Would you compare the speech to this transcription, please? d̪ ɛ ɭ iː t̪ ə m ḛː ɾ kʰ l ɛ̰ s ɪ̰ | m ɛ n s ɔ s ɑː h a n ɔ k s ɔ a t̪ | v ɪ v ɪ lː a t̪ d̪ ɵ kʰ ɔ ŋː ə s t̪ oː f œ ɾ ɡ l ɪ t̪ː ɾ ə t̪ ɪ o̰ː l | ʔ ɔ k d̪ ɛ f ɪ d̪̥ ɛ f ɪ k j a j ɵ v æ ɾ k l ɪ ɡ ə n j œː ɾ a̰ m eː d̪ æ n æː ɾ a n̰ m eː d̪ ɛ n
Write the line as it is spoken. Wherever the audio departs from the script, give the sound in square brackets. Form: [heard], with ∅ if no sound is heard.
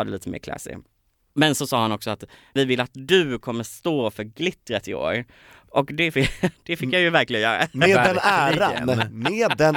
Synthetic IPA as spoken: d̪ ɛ [l] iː t̪ ə m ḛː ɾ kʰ l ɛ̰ s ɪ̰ | m ɛ n s ɔ s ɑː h a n ɔ k s ɔ a t̪ | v ɪ v ɪ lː a t̪ d̪ ɵ kʰ ɔ [mː] ə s t̪ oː f œ ɾ ɡ l ɪ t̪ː ɾ ə t̪ ɪ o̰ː [ɾ] | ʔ ɔ k d̪ ɛ f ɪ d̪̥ ɛ f ɪ k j a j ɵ v æ ɾ k l ɪ ɡ ə n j œː ɾ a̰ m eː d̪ [ɛ] n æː ɾ a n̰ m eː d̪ ɛ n